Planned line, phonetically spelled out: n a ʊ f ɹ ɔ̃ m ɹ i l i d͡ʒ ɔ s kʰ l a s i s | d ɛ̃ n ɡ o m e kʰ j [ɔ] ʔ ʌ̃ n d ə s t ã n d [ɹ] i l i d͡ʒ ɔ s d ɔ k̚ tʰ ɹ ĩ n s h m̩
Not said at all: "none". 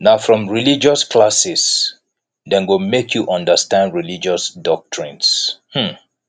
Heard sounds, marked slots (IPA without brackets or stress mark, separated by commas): u, ɹ